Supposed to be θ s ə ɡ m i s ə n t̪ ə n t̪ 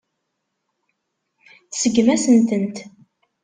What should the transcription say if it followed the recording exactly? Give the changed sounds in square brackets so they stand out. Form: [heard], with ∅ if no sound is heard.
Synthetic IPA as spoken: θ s ə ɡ m [æ] s ə n t̪ ə n t̪